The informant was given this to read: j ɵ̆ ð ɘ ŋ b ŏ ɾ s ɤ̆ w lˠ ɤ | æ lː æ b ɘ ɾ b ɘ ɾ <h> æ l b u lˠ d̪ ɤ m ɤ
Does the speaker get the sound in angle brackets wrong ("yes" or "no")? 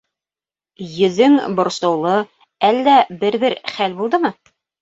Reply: yes